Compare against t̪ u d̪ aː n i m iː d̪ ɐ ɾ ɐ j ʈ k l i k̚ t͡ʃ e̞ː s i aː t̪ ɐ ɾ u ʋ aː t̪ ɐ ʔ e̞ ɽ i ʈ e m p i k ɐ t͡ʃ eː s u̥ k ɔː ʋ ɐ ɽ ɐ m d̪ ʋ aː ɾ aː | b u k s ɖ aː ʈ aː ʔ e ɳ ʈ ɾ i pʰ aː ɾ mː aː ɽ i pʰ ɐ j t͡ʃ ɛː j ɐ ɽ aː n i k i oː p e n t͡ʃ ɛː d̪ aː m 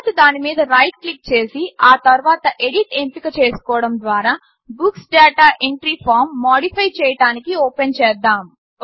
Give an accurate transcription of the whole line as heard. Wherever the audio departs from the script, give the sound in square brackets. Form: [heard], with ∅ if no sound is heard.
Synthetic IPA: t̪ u d̪ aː n i m iː d̪ ɐ ɾ ɐ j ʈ k l i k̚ t͡ʃ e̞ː s i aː t̪ ɐ ɾ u ʋ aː t̪ ɐ ʔ e̞ ɽ i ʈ e m p i k ɐ t͡ʃ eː s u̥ k ɔː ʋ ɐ ɽ ɐ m d̪ ʋ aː ɾ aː | b u k s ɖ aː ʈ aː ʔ e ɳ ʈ ɾ i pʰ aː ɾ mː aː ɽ i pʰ ɐ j t͡ʃ ɛː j ɐ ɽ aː n i k i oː p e n t͡ʃ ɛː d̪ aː m